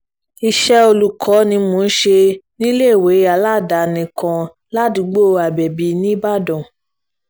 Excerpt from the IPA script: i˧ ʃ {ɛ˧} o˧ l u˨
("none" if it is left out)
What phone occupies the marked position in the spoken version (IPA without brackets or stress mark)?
ɛ˧